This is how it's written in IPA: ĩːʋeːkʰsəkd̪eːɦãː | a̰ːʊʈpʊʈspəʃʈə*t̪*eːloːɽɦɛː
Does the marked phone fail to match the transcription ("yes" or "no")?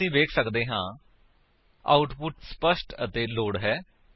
no